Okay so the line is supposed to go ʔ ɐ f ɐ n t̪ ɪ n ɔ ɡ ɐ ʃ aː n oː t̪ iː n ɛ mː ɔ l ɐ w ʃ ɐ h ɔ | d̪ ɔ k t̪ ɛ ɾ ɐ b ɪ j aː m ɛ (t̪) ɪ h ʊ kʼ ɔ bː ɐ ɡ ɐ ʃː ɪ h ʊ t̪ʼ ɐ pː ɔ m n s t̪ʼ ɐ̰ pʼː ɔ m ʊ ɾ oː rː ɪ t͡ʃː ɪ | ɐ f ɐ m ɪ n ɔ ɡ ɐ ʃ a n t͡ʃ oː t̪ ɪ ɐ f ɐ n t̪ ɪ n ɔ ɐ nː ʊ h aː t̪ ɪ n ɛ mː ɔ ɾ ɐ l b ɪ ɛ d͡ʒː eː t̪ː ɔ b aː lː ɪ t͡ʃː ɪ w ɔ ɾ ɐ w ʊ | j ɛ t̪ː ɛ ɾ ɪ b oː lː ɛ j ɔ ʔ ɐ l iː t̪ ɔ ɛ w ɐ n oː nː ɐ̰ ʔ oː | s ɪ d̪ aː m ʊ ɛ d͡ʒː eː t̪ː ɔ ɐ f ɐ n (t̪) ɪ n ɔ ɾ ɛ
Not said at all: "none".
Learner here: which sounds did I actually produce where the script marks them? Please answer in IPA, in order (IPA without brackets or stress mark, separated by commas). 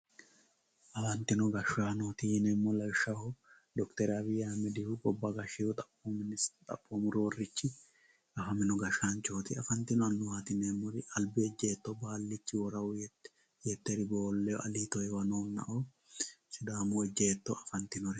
d̪, t̪